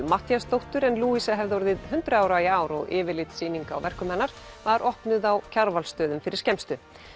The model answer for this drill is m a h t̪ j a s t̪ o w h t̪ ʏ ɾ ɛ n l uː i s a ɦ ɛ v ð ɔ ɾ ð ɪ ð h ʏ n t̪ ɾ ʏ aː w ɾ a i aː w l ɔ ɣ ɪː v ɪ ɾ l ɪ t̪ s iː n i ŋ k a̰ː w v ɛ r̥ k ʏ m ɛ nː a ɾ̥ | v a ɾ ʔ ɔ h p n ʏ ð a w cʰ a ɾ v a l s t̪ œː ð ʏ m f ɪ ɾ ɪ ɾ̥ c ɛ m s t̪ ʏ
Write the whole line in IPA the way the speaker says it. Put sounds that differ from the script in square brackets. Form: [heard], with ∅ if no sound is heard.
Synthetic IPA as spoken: m a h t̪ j a s t̪ o w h t̪ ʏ ɾ ɛ n l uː i s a ɦ ɛ v ð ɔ ɾ ð ɪ ð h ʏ n t̪ ɾ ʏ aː w ɾ a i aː w [ɾ] ɔ ɣ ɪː v ɪ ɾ l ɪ t̪ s iː n i ŋ k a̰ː w v ɛ r̥ k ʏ m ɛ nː a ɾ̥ | v a ɾ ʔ ɔ h p n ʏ ð a w cʰ a ɾ v a l s t̪ œː ð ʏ m f ɪ ɾ ɪ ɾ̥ c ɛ m s t̪ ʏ